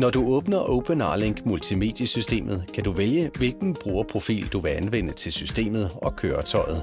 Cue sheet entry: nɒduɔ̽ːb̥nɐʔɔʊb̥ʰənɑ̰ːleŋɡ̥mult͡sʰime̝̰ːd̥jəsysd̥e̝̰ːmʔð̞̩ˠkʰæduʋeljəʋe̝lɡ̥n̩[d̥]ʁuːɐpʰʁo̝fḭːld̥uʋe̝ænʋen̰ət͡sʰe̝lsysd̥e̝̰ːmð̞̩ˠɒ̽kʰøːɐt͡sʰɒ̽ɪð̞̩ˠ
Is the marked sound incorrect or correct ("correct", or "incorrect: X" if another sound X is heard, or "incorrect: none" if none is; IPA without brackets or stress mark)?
incorrect: b̥